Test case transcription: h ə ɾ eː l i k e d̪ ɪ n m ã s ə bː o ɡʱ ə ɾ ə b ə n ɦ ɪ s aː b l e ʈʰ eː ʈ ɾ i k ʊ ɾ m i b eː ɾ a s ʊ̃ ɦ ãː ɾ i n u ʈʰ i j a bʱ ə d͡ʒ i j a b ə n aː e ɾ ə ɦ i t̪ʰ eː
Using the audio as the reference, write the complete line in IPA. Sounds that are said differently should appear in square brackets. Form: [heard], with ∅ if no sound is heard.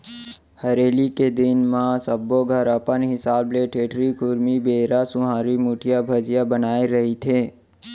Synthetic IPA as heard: h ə ɾ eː l i k e d̪ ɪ n m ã s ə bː o ɡʱ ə ɾ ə [p] ə n ɦ ɪ s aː b l e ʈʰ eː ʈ ɾ i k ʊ ɾ m i b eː ɾ a s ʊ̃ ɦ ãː ɾ i [m] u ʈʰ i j a bʱ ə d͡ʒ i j a b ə n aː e ɾ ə ɦ i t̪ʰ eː